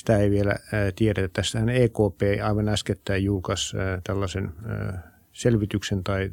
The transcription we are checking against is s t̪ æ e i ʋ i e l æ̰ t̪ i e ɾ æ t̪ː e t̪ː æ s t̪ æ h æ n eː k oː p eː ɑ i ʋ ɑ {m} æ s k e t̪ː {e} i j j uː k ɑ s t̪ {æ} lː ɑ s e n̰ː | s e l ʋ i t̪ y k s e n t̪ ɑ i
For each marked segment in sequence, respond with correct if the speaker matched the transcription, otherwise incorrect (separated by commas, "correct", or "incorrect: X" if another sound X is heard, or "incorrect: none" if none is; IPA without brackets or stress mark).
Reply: incorrect: n, incorrect: æ, correct